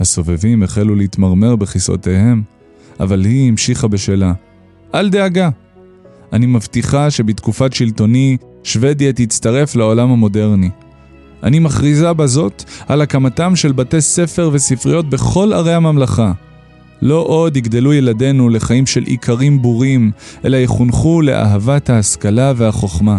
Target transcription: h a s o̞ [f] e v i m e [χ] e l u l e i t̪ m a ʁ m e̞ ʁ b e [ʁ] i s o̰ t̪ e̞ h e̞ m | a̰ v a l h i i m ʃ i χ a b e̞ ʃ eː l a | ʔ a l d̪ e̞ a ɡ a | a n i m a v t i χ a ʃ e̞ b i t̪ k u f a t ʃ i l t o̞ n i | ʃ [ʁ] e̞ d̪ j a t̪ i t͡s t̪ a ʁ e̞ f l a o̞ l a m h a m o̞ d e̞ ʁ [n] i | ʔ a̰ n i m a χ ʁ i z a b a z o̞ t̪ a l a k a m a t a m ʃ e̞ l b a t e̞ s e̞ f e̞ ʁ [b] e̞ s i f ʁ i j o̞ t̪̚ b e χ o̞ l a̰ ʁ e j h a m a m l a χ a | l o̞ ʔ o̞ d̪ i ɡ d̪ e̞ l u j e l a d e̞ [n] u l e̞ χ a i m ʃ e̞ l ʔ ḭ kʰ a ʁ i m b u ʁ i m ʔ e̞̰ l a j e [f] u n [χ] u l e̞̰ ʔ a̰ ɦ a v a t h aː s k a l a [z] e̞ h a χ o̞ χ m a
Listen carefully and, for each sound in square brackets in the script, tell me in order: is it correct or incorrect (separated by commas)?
incorrect, correct, incorrect, incorrect, correct, incorrect, correct, incorrect, correct, incorrect